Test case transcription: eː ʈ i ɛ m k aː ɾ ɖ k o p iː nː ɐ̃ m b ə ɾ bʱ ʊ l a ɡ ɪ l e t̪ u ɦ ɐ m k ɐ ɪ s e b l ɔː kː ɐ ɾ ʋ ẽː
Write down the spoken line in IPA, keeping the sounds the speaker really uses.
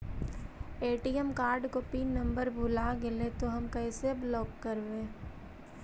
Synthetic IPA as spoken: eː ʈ i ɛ m k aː ɾ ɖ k o p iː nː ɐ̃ m b ə ɾ bʱ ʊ l a ɡ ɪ l e t̪ o ɦ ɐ m k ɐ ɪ s e b l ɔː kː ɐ ɾ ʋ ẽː

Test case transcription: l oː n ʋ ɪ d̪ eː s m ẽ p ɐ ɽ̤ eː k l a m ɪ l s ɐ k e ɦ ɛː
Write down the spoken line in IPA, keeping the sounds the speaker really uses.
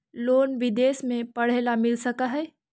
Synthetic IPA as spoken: l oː n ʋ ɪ d̪ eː s m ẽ p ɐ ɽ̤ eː l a m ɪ l s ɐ k a ɦ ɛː

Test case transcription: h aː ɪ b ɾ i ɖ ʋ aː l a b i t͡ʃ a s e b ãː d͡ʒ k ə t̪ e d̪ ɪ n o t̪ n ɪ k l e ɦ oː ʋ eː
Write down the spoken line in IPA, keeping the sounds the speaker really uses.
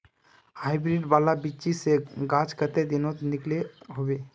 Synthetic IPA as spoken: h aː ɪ b ɾ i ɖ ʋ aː l a b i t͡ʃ i s e ɡ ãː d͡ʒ k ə t̪ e d̪ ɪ n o t̪ n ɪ k l e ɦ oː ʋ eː

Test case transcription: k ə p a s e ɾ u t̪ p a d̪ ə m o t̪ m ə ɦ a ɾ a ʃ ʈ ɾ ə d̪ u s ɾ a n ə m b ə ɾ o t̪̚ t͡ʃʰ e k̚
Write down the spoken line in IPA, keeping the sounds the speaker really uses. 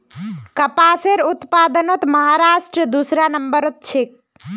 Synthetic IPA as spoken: k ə p a s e ɾ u t̪ p a d̪ ə n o t̪ m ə ɦ a ɾ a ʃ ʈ ɾ ə d̪ u s ɾ a n ə m b ə ɾ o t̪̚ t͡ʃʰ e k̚

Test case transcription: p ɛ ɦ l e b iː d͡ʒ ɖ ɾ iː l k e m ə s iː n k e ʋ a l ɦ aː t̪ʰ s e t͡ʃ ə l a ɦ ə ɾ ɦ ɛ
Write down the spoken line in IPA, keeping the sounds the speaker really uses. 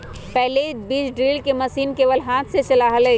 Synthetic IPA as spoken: p ɛ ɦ l e b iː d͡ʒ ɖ ɾ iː l k e m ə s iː n k e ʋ ə l ɦ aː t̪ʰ s e t͡ʃ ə l a ɦ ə l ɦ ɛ

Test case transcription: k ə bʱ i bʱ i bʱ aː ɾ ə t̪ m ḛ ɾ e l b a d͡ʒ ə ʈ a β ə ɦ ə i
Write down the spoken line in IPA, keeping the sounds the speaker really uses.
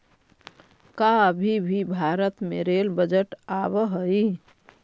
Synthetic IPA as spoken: k a bʱ i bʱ i bʱ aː ɾ ə t̪ m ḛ ɾ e l b ə d͡ʒ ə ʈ a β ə ɦ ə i

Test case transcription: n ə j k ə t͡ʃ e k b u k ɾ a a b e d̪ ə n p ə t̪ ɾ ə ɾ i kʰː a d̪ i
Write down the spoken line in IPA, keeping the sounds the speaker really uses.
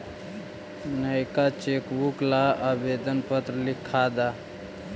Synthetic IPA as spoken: n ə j k a t͡ʃ e k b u k l a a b e d̪ ə n p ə t̪ ɾ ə l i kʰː a d̪ a

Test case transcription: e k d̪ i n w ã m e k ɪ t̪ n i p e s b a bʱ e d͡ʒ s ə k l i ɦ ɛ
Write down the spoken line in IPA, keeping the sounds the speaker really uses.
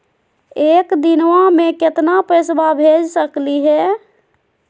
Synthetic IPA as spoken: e k d̪ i n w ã m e k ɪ t̪ n a p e s b a bʱ e d͡ʒ s ə k l i ɦ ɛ

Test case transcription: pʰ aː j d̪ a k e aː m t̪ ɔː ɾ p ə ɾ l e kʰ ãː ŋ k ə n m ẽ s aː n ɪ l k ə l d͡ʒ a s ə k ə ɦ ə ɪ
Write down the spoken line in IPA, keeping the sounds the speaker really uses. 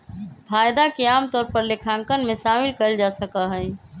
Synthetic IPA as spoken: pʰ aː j d̪ a k e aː m t̪ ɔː ɾ p ə ɾ l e kʰ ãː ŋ k ə n m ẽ s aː m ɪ l k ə l d͡ʒ a s ə k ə ɦ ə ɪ

